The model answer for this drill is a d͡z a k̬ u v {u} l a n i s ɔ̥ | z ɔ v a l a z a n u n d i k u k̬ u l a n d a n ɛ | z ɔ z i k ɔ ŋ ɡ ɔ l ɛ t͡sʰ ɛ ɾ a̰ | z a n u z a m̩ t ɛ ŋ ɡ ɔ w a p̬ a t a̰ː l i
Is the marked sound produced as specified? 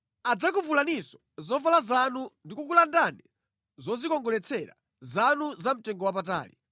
yes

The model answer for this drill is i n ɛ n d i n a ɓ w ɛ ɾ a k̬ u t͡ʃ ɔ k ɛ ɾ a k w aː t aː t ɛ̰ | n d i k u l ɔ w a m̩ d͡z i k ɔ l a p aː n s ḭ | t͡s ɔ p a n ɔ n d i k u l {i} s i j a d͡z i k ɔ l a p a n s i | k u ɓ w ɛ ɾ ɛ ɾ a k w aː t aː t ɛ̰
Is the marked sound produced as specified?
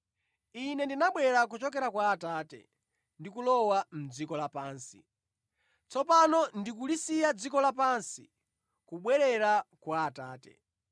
yes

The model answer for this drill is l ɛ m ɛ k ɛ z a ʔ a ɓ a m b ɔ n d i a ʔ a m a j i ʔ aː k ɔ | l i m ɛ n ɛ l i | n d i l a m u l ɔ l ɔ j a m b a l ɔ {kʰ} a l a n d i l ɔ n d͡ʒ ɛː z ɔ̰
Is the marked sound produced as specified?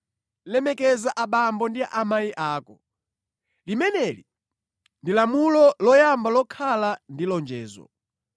yes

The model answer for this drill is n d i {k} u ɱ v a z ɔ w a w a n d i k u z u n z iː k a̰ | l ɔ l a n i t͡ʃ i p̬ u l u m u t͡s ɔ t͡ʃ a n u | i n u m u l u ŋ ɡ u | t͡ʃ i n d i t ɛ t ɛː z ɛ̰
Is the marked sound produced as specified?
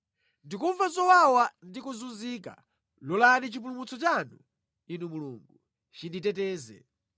yes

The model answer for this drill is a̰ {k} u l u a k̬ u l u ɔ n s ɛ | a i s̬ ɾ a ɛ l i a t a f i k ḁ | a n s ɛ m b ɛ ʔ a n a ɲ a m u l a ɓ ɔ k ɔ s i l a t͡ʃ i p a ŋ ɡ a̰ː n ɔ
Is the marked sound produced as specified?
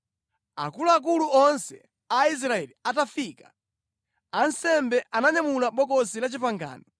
yes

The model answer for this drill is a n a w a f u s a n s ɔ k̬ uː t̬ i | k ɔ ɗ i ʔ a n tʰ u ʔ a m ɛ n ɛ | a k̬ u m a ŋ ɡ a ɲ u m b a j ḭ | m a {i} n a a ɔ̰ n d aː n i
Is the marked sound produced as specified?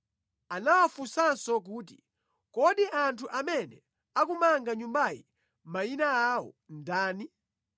yes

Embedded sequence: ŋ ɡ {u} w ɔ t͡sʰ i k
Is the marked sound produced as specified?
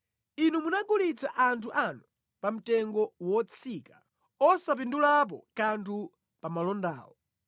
no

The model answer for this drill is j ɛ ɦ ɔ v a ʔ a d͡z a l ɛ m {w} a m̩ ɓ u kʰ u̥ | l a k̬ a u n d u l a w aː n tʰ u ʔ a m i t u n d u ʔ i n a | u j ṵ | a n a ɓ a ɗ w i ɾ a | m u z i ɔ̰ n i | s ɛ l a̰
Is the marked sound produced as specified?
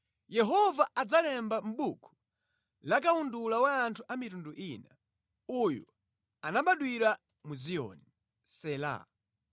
no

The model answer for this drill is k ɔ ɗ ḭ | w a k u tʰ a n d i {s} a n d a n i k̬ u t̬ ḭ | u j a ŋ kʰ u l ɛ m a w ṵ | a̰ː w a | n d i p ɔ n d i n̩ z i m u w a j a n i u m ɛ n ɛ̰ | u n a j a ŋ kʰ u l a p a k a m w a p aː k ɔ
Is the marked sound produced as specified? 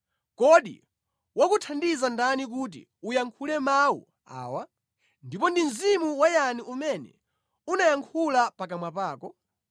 no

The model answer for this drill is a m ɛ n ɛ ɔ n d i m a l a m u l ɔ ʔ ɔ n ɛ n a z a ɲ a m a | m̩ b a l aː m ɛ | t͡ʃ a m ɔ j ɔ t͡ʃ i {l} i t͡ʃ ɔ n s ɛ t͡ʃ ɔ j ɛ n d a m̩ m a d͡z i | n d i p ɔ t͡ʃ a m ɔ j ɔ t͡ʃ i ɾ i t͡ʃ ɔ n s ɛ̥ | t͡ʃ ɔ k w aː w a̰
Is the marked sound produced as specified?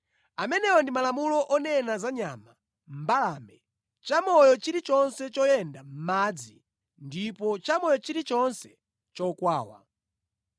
no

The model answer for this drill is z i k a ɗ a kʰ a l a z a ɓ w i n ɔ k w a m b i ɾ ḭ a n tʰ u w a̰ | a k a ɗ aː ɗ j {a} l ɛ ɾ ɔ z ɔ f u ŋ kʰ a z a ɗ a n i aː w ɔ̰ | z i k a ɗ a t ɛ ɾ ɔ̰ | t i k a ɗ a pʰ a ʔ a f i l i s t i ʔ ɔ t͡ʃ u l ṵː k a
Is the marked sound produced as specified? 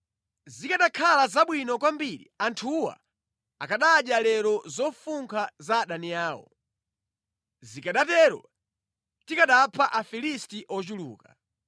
yes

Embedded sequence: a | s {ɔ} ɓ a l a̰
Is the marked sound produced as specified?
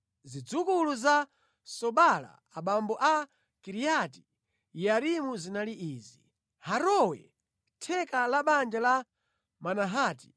yes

